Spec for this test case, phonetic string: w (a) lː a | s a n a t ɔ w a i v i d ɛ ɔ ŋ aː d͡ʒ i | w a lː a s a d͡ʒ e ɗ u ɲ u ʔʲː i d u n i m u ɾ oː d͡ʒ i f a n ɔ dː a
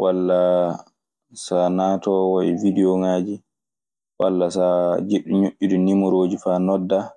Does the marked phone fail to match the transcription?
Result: no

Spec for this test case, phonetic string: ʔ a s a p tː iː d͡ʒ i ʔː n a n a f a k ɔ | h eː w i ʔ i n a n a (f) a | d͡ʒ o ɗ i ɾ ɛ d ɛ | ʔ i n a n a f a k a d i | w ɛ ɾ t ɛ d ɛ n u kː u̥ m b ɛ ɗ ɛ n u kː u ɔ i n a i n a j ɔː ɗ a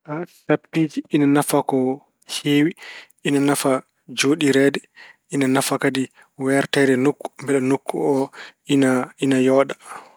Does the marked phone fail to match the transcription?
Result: no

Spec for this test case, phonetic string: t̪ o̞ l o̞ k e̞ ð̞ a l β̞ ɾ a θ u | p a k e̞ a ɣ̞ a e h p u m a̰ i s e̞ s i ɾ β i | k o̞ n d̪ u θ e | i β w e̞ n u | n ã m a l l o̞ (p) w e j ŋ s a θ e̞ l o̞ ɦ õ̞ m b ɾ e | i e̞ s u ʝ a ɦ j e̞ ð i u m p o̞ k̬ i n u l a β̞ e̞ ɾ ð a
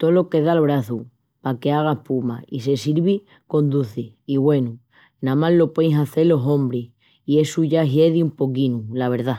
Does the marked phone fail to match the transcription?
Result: no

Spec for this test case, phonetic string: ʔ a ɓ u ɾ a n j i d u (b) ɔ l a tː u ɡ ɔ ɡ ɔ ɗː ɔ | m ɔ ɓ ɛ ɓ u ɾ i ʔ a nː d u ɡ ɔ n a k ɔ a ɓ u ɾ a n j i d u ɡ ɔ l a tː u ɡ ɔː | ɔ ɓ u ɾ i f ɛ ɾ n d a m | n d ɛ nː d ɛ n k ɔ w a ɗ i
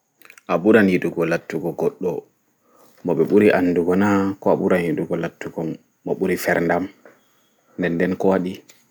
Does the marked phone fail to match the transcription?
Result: yes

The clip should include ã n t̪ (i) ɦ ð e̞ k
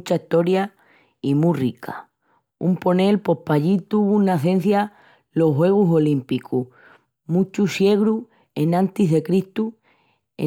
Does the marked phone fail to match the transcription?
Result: no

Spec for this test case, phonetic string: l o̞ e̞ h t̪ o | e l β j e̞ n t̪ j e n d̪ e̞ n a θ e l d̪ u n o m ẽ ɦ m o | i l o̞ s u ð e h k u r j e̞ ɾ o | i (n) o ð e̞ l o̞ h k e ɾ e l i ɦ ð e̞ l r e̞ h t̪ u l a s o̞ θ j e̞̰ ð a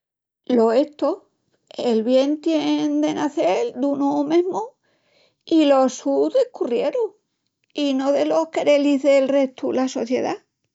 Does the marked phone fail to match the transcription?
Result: no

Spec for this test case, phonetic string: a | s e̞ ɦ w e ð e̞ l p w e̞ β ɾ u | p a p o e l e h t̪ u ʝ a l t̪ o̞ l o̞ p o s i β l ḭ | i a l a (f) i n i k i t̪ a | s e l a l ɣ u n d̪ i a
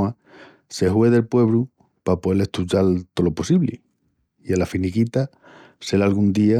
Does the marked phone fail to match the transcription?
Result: no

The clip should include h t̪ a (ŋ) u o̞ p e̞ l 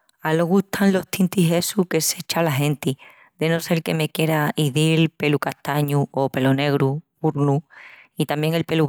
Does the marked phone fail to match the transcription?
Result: yes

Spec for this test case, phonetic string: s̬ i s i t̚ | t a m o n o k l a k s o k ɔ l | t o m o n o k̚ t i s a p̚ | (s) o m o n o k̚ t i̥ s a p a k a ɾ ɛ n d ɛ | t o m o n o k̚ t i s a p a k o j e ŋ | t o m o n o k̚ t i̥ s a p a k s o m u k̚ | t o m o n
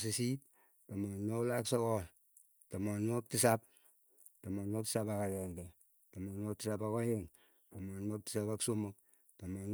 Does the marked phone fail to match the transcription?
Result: yes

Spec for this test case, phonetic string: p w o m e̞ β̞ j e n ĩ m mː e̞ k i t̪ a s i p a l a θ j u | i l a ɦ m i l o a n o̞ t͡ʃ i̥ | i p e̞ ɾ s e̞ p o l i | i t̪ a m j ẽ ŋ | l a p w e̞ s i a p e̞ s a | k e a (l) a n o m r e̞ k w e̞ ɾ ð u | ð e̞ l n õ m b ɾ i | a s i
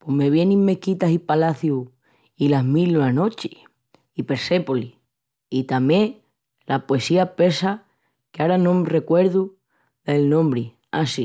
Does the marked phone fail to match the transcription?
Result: yes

